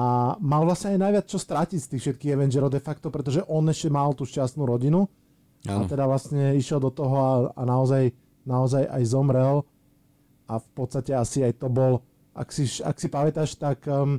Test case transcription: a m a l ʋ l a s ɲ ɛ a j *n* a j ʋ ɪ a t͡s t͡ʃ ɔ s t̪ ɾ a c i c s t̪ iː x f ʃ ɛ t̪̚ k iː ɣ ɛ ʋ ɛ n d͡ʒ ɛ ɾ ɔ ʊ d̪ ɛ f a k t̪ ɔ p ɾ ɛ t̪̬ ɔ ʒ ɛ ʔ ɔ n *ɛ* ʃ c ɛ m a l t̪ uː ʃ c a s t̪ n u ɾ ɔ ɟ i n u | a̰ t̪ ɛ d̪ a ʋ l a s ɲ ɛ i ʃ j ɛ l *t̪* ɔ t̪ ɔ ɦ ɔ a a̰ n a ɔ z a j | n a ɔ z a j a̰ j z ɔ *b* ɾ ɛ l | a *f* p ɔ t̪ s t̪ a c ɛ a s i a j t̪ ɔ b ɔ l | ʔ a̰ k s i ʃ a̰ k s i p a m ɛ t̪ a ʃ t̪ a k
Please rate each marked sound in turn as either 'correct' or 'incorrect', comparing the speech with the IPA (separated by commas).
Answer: correct, correct, incorrect, incorrect, correct